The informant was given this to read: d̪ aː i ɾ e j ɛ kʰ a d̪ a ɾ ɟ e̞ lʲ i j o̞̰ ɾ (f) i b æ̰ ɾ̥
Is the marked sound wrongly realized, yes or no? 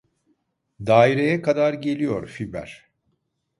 no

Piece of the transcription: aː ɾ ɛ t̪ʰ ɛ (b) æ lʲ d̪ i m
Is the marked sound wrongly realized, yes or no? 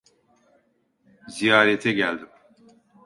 yes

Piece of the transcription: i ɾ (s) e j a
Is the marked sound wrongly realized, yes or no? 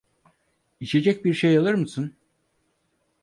yes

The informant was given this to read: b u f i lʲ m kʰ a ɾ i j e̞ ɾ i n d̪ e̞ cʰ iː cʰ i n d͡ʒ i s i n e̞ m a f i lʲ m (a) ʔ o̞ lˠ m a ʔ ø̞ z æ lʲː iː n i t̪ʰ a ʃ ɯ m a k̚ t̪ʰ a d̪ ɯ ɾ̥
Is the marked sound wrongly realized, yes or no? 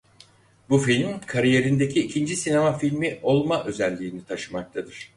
yes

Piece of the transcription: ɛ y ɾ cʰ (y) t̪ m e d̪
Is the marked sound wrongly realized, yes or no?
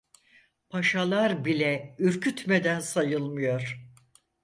no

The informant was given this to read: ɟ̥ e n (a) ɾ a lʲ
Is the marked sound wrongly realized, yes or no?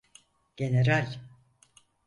yes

